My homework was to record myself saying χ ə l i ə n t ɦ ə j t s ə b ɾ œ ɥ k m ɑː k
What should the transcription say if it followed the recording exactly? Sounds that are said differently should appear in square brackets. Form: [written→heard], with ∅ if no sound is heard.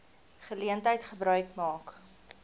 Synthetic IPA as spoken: χ ə l i ə n t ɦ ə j t [s→χ] ə b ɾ œ ɥ k m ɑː k